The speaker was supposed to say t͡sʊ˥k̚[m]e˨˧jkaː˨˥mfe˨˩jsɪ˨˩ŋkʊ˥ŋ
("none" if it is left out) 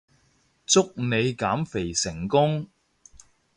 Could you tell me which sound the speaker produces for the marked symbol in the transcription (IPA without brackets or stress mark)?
n